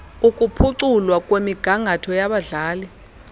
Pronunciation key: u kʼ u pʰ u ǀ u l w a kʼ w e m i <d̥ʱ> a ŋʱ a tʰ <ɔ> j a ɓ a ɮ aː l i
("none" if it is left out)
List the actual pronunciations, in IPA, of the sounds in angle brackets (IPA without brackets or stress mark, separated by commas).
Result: ɡ̥ʱ, ɔ